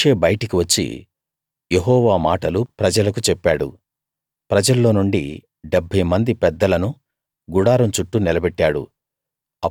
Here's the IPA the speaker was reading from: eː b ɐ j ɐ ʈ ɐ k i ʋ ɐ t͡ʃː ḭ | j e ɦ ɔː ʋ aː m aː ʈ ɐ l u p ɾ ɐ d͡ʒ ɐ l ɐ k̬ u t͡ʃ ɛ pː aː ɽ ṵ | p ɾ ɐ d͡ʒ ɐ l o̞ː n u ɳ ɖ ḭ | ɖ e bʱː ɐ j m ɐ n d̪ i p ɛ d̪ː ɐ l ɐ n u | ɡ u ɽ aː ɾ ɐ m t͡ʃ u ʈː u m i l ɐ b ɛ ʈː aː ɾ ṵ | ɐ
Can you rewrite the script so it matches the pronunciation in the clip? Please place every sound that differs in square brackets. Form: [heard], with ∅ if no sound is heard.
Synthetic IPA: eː b ɐ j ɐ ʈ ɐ k i ʋ ɐ t͡ʃː ḭ | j e ɦ ɔː ʋ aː m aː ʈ ɐ l u p ɾ ɐ d͡ʒ ɐ l ɐ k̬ u t͡ʃ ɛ pː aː ɽ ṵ | p ɾ ɐ d͡ʒ ɐ [lː] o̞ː n u ɳ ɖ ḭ | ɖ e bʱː ɐ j m ɐ n d̪ i p ɛ d̪ː ɐ l ɐ n u | ɡ u ɽ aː ɾ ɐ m t͡ʃ u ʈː u [n] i l ɐ b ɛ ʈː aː [ɽ] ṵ | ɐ